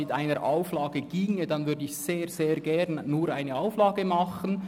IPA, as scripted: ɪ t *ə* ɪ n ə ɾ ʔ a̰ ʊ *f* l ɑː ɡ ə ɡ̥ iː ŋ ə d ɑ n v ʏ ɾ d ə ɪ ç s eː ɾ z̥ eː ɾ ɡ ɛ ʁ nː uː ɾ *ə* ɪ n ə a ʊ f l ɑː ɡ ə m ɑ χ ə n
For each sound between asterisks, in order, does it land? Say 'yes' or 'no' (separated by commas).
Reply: no, yes, no